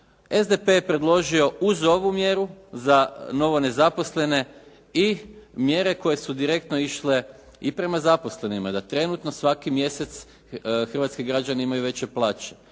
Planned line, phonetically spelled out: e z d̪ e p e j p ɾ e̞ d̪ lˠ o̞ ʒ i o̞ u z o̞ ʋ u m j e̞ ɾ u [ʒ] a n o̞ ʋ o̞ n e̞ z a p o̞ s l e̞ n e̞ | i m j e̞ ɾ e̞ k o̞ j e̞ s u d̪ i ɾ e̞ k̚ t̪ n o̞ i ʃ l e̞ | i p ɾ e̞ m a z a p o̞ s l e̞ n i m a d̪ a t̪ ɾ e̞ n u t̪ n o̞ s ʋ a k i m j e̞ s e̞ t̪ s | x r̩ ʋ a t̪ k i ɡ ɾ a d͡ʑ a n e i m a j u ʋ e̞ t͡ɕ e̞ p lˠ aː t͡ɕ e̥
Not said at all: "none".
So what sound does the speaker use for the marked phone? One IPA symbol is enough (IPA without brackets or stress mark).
z